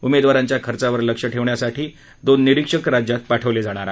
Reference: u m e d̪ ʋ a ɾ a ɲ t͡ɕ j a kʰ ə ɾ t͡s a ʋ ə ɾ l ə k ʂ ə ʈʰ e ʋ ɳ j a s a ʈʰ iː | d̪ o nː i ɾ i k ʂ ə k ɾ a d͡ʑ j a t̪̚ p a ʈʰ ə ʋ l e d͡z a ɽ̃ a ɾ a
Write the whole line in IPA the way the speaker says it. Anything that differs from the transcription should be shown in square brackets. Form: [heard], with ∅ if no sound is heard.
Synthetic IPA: u m e d̪ ʋ a ɾ a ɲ t͡ɕ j a kʰ ə ɾ t͡s a ʋ ə ɾ l ə k ʂ ə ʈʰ e ʋ ɳ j a s a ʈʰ iː | d̪ o nː i ɾ i k ʂ ə k ɾ a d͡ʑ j a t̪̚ p a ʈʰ ə ʋ l e d͡z a ɽ̃ a ɾ a